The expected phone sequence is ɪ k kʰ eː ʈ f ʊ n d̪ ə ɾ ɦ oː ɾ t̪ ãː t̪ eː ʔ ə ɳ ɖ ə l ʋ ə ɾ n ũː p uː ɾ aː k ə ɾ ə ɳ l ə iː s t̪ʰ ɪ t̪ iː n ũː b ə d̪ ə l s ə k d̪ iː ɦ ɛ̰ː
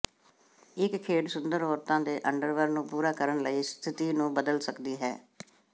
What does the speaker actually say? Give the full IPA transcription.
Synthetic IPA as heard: ɪ k kʰ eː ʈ s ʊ n d̪ ə ɾ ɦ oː ɾ t̪ ãː d̪ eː ʔ ə ɳ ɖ ə ɾ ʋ ə ɾ n ũː p uː ɾ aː k ə ɾ ə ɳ l ə iː s t̪ʰ ɪ t̪ iː n ũː b ə d̪ ə l s ə k d̪ iː ɦ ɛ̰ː